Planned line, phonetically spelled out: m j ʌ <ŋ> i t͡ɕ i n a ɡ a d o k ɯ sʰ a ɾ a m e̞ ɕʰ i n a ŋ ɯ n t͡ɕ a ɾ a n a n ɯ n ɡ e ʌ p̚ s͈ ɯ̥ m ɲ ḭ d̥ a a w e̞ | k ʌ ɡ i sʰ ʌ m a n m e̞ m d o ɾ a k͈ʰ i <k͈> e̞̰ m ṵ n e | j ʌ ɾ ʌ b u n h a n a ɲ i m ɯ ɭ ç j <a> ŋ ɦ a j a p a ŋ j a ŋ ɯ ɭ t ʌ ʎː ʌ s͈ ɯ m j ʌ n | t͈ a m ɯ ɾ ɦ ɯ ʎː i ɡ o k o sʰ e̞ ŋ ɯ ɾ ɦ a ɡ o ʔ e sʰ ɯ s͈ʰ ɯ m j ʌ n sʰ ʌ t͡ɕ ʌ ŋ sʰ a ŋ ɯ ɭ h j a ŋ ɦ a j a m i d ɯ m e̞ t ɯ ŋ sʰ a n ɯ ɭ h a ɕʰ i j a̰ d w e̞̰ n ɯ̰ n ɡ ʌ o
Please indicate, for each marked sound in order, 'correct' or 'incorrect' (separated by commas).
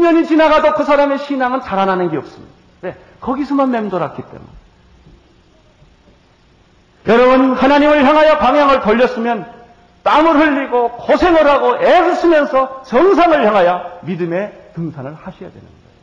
incorrect, incorrect, correct